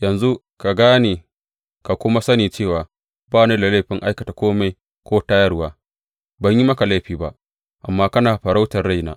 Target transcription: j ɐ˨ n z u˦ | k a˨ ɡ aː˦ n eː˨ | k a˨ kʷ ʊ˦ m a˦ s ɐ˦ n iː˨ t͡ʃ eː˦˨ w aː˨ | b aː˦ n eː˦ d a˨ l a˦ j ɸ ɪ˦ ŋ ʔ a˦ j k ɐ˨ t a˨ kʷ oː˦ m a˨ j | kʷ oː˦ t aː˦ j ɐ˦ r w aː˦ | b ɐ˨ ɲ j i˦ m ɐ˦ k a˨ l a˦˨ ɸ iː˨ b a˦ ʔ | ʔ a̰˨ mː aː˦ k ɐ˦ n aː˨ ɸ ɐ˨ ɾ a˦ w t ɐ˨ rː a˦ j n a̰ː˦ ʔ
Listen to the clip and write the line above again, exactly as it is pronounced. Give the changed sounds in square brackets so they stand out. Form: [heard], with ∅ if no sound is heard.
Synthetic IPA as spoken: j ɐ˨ n z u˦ | k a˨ ɡ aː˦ n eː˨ | k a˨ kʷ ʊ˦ m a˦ s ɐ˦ n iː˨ t͡ʃ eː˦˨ w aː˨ | b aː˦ n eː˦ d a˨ l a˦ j ɸ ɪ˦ ŋ ʔ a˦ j k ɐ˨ t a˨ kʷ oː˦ m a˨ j | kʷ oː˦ t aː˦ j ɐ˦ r w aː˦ | b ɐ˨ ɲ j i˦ m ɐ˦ k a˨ l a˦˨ ɸ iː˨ b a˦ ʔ | ʔ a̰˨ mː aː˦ k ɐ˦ n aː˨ ɸ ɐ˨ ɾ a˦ w t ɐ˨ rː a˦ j n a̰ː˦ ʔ